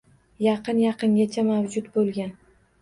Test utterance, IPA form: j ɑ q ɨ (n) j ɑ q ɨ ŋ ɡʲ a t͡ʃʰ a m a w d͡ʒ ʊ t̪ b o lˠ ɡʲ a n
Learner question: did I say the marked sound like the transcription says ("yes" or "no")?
yes